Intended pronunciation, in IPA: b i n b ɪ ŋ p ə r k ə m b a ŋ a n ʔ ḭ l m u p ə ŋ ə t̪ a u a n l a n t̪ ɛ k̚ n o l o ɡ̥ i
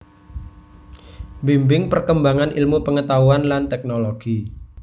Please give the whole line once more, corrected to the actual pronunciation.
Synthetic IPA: b i m b ɪ ŋ p ə r k ə m b a ŋ a n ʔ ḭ l m u p ə ŋ ə t̪ a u a n l a n t̪ ɛ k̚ n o l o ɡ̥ i

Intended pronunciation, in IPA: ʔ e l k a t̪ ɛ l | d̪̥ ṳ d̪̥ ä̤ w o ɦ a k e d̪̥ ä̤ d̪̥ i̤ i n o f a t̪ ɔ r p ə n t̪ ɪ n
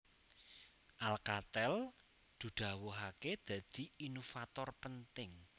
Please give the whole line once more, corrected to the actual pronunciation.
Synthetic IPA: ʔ a l k a t̪ ɛ l | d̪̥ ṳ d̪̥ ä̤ w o ɦ a k e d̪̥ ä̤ d̪̥ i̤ i n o f a t̪ ɔ r p ə n t̪ ɪ ŋ

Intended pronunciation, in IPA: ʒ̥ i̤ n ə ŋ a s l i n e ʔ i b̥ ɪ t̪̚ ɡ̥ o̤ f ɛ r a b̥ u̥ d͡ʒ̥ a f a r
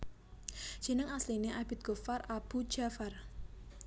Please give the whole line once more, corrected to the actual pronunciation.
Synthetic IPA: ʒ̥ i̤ n ə ŋ a s l i n e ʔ a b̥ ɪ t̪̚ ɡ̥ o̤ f a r a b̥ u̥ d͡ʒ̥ a f a r

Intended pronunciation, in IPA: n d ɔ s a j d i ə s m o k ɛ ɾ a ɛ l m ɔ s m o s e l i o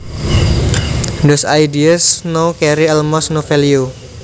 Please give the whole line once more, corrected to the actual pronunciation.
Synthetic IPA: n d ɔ s a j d i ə s n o k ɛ ɾ i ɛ l m ɔ s n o f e l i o

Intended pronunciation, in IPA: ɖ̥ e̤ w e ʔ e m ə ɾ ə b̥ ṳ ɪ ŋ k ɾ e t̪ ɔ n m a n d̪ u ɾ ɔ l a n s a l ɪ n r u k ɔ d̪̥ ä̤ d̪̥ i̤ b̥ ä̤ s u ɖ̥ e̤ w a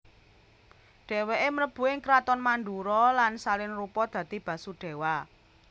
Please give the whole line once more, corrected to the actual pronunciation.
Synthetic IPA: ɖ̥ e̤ w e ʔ e m ə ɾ ə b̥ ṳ ɪ ŋ k ɾ a t̪ ɔ n m a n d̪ u ɾ ɔ l a n s a l ɪ n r u p ɔ d̪̥ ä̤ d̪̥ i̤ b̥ ä̤ s u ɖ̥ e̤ w a

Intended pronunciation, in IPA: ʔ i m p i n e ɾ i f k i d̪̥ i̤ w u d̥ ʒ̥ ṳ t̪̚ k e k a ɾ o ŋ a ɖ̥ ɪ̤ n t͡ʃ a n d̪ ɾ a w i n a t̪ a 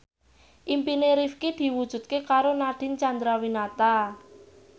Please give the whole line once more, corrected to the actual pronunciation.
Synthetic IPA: ʔ i m p i n e ɾ i f k i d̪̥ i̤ w u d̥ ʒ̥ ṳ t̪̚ k e k a ɾ o n a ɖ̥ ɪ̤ n t͡ʃ a n d̪ ɾ a w i n a t̪ a

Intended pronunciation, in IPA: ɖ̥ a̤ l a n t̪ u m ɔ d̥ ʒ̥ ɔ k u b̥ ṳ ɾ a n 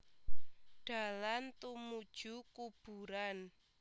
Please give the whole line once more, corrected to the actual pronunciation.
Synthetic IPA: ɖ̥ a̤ l a n t̪ u m u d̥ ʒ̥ u k u b̥ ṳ ɾ a n

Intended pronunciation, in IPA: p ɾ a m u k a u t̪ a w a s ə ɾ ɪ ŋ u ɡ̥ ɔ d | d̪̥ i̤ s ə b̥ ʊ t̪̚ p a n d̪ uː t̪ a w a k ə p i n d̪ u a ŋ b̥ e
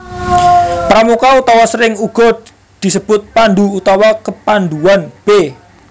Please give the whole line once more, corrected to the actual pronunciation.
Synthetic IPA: p ɾ a m u k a u t̪ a w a s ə ɾ ɪ ŋ u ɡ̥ ɔ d | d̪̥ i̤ s ə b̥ ʊ t̪̚ p a n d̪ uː t̪ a w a k ə p a n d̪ u a n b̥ e

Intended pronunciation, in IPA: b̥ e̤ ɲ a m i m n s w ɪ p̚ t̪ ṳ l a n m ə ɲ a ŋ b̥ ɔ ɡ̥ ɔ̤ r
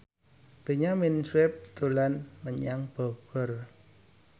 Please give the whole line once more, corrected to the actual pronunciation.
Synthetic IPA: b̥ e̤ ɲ a m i n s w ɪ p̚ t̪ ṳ l a n m ə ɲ a ŋ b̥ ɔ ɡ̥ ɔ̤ r

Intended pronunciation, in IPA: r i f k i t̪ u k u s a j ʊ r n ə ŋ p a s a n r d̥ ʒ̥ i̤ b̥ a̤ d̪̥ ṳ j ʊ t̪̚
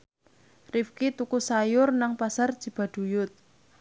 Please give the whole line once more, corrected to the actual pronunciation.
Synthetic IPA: r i f k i t̪ u k u s a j ʊ r n a ŋ p a s a r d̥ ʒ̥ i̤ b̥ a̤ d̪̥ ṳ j ʊ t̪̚

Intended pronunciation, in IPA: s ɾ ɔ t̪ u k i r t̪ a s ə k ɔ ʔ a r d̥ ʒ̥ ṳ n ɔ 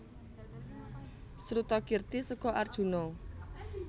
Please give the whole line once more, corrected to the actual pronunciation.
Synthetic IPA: s ɾ u t̪ ɔ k i r t̪ i s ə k ɔ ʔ a r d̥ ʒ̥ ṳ n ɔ

